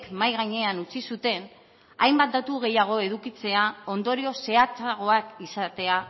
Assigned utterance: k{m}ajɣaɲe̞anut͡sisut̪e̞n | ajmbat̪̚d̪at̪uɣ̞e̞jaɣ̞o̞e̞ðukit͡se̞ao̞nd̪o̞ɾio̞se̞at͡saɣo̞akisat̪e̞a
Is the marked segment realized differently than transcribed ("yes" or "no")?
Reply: no